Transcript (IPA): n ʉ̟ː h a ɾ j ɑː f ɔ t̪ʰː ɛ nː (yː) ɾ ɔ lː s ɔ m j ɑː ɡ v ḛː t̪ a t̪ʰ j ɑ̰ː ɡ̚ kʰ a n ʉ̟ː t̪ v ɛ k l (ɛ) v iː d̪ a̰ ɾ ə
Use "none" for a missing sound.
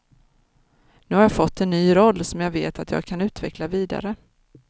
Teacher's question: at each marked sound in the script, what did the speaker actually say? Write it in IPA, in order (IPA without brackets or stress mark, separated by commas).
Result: yː, a